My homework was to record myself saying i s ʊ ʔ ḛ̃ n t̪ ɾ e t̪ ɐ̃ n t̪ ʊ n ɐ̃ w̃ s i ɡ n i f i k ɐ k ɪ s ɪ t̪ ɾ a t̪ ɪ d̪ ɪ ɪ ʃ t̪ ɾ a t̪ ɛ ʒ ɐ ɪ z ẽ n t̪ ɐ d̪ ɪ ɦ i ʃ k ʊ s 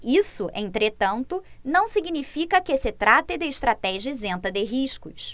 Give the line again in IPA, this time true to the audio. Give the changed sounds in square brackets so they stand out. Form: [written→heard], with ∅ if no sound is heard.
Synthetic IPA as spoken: i s ʊ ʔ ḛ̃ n t̪ ɾ e t̪ ɐ̃ n t̪ ʊ n ɐ̃ w̃ s i ɡ n i f i k ɐ k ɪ s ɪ t̪ ɾ a t̪ ɪ d̪ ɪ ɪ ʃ t̪ ɾ a t̪ ɛ ʒ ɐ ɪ z ẽ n t̪ ɐ d̪ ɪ ɦ i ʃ k ʊ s